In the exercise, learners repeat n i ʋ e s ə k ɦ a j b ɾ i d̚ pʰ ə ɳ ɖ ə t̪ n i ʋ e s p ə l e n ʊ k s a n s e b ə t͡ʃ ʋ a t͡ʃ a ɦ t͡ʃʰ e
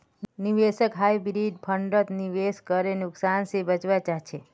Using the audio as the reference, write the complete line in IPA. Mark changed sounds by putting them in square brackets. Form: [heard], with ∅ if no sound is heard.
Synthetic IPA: n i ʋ e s ə k ɦ a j b ɾ i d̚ pʰ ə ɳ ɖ ə t̪ n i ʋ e s [k] ə [ɾ] e n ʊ k s a n s e b ə t͡ʃ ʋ a t͡ʃ a ɦ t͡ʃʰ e